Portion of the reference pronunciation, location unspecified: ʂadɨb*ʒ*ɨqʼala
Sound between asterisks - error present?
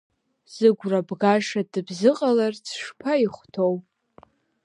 yes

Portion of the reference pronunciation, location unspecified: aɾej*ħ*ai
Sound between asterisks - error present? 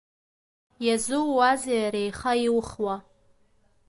yes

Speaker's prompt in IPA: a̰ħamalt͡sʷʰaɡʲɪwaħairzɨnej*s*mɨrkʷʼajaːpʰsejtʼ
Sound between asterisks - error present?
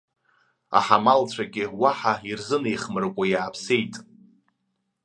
yes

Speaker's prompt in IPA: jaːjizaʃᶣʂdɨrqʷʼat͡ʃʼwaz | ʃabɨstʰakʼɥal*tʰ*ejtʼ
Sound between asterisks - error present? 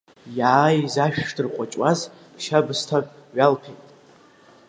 yes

